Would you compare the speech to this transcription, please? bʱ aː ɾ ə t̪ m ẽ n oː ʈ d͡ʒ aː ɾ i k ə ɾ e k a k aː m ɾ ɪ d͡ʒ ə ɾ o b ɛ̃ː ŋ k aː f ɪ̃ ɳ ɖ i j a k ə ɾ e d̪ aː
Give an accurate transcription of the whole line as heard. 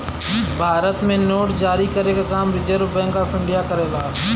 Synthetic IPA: bʱ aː ɾ ə t̪ m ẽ n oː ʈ d͡ʒ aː ɾ i k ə ɾ e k a k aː m ɾ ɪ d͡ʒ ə ɾ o b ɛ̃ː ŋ k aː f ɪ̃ ɳ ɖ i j a k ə ɾ e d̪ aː

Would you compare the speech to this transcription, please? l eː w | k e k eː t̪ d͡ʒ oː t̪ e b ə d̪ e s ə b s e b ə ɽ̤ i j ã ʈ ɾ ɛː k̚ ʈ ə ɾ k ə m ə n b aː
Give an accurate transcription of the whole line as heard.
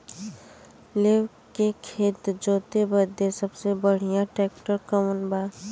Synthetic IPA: l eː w | k e kʰ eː t̪ d͡ʒ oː t̪ e b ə d̪ e s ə b s e b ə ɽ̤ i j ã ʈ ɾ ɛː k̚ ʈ ə ɾ k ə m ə n b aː

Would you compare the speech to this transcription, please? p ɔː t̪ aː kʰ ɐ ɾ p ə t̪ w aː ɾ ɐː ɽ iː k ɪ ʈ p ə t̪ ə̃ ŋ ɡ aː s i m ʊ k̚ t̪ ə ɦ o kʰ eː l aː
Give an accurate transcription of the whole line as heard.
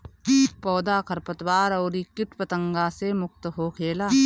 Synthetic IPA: p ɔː d̪ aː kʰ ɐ ɾ p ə t̪ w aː ɾ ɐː ɾ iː k ɪ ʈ p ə t̪ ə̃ ŋ ɡ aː s e m ʊ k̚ t̪ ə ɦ o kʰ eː l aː

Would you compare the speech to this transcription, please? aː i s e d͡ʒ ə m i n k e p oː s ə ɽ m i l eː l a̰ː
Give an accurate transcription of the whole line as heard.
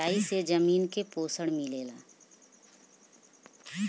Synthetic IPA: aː i s e d͡ʒ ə m iː n k e p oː s ə ɽ m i l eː l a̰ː

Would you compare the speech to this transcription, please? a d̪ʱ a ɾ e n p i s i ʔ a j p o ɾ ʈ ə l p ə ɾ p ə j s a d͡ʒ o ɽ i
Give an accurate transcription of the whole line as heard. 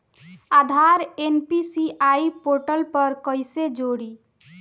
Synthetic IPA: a d̪ʱ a ɾ e n p i s i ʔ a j p o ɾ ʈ ə l p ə ɾ k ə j s e d͡ʒ o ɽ i

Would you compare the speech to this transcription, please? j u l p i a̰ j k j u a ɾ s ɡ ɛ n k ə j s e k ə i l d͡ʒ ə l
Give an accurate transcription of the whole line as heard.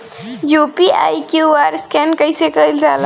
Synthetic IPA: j u p i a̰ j k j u a ɾ s k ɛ n k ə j s e k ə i l d͡ʒ a l

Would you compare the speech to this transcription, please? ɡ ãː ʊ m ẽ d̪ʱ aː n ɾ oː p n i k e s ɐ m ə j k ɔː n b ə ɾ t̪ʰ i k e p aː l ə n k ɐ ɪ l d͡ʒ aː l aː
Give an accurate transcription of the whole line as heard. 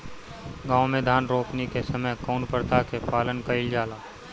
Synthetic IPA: ɡ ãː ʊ m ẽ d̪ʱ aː n ɾ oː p n i k e s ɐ m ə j k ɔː n p ə ɾ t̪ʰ a k e p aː l ə n k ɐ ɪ l d͡ʒ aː l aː

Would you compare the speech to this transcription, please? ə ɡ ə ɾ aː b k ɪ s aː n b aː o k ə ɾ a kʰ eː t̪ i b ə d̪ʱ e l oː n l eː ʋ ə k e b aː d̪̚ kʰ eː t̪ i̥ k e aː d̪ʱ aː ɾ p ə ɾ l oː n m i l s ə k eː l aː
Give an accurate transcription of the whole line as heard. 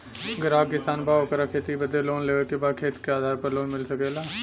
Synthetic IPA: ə ɡ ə ɾ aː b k ɪ s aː n b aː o k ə ɾ a kʰ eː t̪ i b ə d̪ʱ e l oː n l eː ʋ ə k e b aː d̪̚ kʰ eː t̪ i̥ k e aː d̪ʱ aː ɾ p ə ɾ l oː n m ɪ l s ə k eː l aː

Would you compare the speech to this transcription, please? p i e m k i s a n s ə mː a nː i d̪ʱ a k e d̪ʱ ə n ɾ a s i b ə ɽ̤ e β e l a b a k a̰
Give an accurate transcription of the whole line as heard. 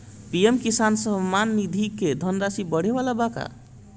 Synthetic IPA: p i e m k i s a n s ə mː a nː i d̪ʱ i k e d̪ʱ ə n ɾ a s i b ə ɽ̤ e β a l a b a k a̰

